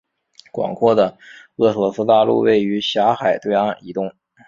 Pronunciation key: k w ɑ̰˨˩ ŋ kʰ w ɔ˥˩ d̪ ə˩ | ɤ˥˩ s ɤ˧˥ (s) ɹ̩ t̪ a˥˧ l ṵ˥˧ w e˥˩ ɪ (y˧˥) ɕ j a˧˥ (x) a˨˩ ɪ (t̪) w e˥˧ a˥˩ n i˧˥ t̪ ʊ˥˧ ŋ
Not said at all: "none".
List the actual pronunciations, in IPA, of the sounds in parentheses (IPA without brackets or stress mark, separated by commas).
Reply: s, y˧˥, x, t̪